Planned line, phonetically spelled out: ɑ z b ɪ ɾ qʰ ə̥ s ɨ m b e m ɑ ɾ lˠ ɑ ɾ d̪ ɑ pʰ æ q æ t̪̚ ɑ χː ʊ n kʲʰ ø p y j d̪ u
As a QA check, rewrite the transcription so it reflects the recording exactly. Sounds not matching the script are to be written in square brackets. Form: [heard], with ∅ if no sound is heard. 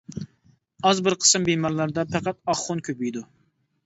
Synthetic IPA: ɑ z b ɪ ɾ qʰ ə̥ s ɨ m b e m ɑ ɾ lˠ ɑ ɾ d̪ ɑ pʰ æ q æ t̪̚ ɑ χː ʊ n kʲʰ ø p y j d̪ u